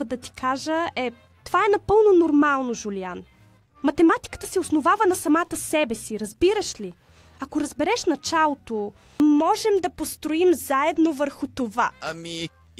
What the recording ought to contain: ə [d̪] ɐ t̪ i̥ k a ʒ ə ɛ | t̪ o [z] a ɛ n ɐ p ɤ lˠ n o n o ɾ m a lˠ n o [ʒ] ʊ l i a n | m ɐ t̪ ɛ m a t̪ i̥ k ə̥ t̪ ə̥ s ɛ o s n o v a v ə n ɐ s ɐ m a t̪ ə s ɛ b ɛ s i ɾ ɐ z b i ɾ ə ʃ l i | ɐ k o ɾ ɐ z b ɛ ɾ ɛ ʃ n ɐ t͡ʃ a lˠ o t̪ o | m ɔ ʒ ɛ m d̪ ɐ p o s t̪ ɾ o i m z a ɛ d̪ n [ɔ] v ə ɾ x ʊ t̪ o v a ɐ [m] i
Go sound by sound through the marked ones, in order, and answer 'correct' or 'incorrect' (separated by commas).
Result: correct, incorrect, correct, incorrect, correct